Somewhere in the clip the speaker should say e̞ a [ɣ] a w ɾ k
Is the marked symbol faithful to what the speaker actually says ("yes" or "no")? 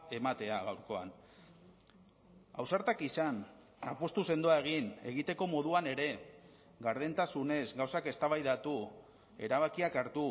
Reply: yes